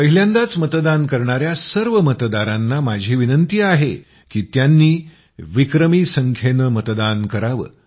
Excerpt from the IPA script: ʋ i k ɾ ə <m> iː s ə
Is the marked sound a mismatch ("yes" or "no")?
no